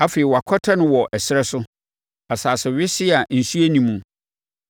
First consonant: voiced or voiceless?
voiceless